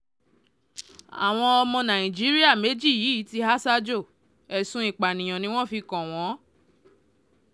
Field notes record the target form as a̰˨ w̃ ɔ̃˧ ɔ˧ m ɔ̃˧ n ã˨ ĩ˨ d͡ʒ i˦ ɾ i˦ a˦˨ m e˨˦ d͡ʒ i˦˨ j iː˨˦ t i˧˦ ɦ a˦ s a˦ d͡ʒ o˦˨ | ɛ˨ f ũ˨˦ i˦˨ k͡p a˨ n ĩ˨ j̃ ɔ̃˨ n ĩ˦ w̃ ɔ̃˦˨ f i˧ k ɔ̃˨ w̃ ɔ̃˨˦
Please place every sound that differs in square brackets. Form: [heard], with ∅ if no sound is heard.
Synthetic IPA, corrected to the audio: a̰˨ w̃ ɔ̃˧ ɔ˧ m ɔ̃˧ n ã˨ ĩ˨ d͡ʒ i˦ ɾ i˦ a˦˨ m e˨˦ d͡ʒ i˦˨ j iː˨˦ t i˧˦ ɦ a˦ s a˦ d͡ʒ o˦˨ | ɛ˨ [s] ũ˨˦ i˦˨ k͡p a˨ n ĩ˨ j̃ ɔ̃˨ n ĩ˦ w̃ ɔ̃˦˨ f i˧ k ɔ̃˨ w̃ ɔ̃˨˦